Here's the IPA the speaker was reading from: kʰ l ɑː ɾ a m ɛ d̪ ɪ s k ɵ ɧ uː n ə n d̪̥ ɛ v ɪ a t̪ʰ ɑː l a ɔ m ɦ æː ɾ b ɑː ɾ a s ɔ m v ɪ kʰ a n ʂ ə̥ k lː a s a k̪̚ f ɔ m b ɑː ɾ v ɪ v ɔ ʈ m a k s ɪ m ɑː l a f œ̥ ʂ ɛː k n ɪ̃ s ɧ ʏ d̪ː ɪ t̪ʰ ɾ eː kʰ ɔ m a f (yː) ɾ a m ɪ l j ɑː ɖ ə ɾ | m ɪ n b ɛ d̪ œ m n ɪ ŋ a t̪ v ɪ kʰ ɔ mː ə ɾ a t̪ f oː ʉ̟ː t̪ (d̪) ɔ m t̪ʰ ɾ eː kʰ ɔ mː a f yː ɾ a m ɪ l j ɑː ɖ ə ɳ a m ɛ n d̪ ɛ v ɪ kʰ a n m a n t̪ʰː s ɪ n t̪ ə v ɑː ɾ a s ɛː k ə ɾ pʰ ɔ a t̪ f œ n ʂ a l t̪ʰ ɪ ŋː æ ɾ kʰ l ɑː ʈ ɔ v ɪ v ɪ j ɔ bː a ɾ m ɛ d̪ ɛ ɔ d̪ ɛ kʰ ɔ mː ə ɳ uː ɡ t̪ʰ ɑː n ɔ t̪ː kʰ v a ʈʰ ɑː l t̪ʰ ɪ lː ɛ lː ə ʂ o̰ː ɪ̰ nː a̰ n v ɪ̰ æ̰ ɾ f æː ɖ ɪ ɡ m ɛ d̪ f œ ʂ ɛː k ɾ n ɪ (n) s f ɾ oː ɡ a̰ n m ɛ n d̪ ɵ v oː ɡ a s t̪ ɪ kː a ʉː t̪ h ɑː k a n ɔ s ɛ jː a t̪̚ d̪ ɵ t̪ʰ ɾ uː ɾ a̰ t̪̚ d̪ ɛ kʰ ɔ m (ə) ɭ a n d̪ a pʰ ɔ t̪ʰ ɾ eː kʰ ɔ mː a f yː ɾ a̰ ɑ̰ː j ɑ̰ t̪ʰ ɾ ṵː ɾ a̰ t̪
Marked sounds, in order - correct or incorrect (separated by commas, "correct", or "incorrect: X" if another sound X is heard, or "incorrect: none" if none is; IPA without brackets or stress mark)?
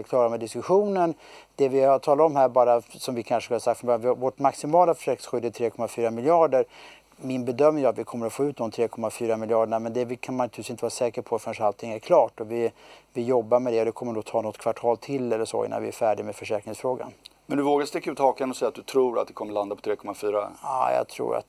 correct, correct, incorrect: ŋ, correct